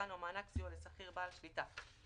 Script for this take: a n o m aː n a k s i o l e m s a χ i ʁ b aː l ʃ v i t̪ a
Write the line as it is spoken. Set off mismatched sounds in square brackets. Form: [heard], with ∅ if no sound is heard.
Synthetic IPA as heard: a n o m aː n a k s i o l e [∅] s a χ i ʁ b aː l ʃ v i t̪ a